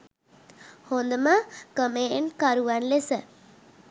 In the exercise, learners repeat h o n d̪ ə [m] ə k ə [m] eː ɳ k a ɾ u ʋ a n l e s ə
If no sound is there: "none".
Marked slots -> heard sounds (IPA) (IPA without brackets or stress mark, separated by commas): m, m